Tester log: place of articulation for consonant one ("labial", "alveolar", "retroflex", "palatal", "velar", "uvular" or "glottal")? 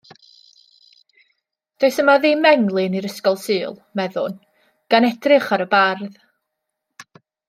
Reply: alveolar